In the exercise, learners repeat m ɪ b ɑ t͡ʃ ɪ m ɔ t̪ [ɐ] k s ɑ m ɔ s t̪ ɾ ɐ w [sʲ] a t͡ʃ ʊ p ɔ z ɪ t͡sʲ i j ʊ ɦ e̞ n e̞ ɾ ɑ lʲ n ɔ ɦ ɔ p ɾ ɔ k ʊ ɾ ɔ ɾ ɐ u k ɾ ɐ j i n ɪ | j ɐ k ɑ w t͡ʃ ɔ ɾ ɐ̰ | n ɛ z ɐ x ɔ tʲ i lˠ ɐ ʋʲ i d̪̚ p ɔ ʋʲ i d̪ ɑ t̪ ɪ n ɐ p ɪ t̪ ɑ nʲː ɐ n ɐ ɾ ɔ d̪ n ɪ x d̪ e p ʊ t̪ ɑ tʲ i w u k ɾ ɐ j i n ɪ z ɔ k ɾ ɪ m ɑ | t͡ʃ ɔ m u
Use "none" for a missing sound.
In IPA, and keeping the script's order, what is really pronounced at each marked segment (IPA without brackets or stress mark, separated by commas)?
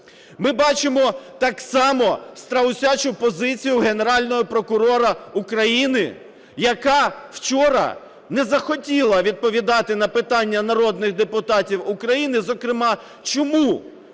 ɑ, sʲ